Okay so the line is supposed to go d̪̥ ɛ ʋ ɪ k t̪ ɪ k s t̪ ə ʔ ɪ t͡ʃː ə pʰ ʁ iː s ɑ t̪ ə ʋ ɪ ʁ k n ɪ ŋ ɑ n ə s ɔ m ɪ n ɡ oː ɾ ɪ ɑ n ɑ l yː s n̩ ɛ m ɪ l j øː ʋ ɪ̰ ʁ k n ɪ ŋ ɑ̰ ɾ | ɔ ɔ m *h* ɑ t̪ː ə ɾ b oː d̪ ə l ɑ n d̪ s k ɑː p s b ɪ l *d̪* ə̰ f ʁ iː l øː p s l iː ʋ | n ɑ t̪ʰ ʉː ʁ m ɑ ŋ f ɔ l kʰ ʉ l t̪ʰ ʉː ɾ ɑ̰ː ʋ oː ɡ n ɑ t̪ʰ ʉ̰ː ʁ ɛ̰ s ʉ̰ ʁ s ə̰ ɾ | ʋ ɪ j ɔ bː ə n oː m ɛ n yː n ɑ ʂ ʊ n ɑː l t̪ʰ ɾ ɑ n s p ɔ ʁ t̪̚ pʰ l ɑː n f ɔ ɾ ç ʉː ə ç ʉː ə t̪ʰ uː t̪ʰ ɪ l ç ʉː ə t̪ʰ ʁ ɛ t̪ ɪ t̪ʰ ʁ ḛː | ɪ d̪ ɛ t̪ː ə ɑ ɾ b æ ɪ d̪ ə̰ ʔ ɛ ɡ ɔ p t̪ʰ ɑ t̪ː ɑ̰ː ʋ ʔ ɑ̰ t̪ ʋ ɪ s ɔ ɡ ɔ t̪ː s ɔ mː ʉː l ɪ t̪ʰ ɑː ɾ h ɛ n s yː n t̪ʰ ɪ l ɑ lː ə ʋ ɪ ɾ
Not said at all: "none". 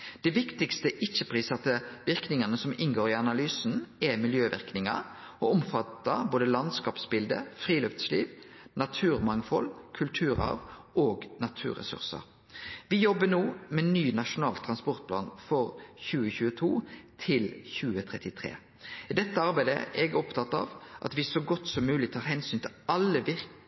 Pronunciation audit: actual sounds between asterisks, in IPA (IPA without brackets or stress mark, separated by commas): f, d̪